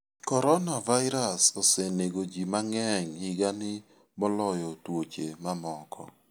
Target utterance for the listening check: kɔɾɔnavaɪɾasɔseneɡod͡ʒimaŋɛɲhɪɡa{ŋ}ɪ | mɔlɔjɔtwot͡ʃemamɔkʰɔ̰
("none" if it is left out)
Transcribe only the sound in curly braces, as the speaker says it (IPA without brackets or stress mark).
n